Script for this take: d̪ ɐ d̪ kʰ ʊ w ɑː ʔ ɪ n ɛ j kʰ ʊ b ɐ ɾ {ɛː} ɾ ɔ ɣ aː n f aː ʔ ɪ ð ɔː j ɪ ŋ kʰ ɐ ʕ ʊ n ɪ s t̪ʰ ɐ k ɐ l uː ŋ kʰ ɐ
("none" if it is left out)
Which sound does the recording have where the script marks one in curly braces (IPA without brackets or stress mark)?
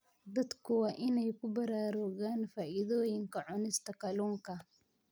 aː